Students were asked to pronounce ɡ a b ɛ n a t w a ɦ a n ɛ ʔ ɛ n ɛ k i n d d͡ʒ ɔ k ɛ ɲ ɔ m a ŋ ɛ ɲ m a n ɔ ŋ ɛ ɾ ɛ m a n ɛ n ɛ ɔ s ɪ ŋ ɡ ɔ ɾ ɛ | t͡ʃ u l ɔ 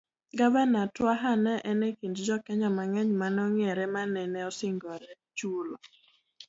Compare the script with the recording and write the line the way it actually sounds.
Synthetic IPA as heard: ɡ a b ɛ n a t w a ɦ a n ɛ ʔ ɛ n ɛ k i n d d͡ʒ ɔ k ɛ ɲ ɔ m a ŋ ɛ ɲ m a n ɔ ŋ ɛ ɾ ɛ m a n ɛ n ɛ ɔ s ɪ ŋ ɡ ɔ ɾ ɛ | t͡ʃ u l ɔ